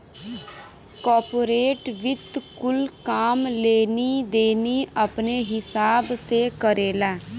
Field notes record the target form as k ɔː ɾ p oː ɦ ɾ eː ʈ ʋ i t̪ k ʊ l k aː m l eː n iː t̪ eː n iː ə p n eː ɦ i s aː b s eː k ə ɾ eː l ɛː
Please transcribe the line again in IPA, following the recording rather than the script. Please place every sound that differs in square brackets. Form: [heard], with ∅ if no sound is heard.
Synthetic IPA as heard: k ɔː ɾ p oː [∅] ɾ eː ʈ ʋ [ɪ] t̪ k ʊ l k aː m l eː n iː [d̪] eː n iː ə p n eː ɦ [ɪ] s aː b s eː k ə ɾ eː l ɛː

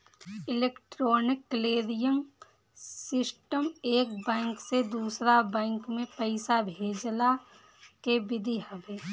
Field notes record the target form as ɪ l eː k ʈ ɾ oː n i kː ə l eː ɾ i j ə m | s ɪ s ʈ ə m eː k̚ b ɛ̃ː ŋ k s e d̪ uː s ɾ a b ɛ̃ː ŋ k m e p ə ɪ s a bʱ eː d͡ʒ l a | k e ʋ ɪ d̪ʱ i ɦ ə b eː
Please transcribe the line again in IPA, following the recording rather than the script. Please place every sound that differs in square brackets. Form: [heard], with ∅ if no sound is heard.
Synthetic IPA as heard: ɪ l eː k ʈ ɾ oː n [ɪ] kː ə l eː ɾ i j ə m | s ɪ s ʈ ə m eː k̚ b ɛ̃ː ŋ k s e d̪ uː s ɾ a b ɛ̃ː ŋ k m [ẽ] p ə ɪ s a bʱ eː d͡ʒ l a | k e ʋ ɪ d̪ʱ i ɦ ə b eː

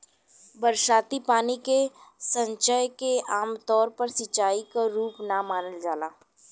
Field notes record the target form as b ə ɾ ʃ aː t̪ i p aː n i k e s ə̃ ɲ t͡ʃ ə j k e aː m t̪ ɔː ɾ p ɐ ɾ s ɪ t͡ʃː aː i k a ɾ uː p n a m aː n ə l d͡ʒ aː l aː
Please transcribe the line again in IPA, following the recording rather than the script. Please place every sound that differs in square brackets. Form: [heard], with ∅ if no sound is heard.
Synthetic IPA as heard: b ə ɾ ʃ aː t̪ i p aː n i k e s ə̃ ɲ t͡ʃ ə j k e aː m t̪ ɔː ɾ p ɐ ɾ s ɪ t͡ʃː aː i k a ɾ uː p n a m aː n ə l d͡ʒ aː l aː

